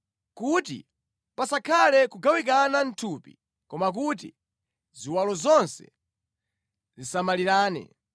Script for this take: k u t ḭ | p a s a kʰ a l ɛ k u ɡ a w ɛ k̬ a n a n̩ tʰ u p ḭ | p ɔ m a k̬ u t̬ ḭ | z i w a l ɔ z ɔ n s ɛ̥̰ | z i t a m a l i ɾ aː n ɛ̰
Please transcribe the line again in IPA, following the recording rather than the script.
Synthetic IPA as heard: k u t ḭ | p a s a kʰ a l ɛ k u ɡ a w i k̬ a n a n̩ tʰ u p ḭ | k ɔ m a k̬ u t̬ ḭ | z i w a l ɔ z ɔ n s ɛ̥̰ | z i s a m a l i ɾ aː n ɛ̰